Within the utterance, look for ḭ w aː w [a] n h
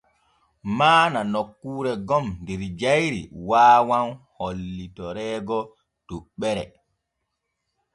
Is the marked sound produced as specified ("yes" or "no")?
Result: yes